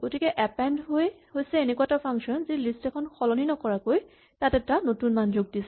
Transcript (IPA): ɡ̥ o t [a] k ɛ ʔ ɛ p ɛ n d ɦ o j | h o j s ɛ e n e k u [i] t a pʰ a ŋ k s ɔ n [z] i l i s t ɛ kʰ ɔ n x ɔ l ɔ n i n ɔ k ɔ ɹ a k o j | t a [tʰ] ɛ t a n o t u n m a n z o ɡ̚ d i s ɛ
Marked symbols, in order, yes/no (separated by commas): no, no, yes, no